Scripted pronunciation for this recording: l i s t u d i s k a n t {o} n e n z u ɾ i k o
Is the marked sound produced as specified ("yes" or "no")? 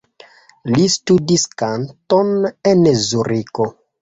yes